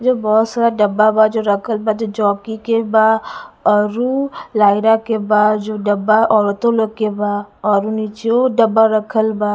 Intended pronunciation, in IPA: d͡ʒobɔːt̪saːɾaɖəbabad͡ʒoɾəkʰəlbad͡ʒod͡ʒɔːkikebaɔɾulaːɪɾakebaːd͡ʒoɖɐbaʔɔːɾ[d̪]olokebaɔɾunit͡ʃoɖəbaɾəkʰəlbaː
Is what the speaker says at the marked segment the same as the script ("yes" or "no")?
no